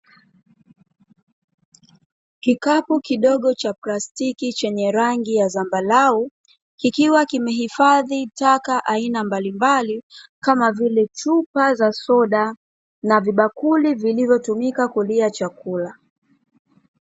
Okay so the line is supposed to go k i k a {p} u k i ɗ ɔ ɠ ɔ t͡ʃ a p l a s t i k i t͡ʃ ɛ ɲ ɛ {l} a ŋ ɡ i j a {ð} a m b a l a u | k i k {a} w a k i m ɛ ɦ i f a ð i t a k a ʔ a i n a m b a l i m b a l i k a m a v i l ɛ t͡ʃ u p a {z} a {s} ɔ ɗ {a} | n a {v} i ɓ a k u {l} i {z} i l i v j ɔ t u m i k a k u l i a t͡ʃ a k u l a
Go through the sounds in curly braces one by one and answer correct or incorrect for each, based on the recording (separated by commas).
correct, incorrect, incorrect, incorrect, correct, correct, correct, correct, correct, incorrect